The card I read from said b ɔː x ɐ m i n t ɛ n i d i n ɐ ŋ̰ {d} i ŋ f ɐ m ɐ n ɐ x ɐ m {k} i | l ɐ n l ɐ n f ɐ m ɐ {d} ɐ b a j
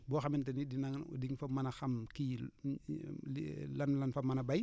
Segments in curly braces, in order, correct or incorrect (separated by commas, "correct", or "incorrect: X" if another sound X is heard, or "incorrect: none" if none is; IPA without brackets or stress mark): correct, correct, incorrect: n